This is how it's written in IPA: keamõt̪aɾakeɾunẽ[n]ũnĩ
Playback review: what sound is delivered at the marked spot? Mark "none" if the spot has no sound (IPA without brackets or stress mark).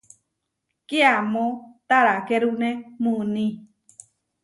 m